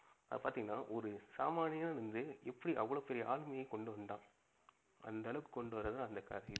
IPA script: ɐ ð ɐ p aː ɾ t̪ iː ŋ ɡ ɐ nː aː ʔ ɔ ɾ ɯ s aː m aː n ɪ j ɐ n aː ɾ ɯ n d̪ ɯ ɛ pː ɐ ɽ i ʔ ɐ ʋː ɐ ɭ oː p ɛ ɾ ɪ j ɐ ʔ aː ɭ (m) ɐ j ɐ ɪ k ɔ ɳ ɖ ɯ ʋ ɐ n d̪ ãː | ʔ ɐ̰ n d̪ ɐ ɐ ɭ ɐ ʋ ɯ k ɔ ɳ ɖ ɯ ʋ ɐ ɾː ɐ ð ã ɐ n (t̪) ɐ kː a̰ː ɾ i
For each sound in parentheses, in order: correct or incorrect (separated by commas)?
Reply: correct, incorrect